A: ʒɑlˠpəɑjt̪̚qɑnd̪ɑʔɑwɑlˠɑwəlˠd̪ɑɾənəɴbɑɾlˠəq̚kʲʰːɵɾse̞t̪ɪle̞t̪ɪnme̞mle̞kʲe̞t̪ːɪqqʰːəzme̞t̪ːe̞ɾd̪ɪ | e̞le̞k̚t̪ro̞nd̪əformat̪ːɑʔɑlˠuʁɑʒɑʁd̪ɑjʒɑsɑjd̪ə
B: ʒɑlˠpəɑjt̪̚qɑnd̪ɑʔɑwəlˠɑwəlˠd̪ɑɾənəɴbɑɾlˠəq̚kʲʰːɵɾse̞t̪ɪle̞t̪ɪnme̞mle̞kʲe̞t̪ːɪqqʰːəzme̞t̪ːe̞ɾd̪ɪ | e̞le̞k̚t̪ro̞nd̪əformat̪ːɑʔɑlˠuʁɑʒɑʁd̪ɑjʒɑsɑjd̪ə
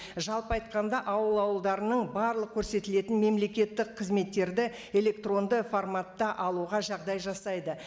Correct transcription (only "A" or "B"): B